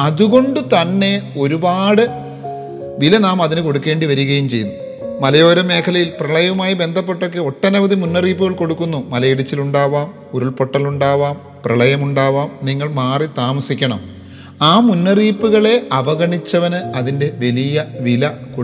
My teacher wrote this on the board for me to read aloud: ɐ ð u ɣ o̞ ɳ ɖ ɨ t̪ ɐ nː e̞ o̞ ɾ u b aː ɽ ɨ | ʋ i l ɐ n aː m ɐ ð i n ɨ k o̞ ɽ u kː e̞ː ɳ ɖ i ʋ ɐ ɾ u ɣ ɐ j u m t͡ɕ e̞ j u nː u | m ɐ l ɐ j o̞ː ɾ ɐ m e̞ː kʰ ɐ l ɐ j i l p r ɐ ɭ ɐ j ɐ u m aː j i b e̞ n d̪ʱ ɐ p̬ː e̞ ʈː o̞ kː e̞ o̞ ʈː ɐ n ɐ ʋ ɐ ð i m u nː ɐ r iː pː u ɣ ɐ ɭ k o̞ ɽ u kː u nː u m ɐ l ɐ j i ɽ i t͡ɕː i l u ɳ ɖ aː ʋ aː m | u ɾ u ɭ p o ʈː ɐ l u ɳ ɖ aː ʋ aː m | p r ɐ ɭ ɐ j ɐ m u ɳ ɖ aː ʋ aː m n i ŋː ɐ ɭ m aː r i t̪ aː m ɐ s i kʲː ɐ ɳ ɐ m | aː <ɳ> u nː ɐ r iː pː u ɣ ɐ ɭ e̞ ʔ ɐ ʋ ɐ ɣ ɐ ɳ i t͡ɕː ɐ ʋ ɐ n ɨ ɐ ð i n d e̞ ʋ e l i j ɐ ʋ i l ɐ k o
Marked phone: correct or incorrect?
incorrect